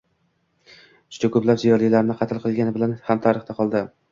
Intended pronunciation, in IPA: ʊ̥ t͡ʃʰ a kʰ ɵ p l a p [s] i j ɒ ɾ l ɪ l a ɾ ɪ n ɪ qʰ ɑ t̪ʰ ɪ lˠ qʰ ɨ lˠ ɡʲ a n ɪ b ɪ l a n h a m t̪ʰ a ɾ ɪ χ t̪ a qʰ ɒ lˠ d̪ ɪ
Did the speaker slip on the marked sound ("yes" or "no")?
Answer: yes